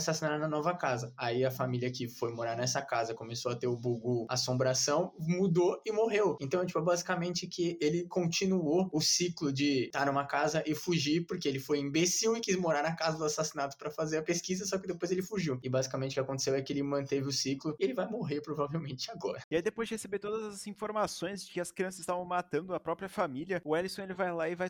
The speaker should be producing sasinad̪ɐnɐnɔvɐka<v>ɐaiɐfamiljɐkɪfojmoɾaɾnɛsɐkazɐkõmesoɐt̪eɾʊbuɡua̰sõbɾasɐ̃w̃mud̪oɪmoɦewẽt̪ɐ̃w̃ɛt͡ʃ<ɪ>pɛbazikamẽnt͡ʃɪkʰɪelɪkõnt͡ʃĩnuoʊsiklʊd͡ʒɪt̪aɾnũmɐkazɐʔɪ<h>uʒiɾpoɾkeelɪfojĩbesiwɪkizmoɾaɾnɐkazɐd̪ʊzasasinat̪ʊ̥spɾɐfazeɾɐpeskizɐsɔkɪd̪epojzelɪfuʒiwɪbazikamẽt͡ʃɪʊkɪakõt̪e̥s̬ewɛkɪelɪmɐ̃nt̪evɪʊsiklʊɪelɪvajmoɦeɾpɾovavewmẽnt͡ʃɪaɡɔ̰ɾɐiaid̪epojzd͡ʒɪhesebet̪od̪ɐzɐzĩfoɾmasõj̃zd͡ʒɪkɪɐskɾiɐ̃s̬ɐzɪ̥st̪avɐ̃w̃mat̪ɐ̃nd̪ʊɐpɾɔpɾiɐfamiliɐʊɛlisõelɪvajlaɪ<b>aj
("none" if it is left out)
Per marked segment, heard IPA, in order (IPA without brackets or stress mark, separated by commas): z, i, f, v